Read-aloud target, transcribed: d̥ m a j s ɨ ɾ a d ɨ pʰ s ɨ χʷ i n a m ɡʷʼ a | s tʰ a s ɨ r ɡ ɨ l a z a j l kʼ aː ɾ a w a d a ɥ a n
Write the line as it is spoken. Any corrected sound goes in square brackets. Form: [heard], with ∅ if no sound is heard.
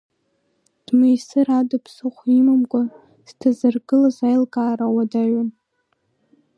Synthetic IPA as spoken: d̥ m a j s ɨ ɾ a d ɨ pʰ s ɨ χʷ i [m] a m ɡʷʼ a | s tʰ a [z] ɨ r ɡ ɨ l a z a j l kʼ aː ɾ a w a d a ɥ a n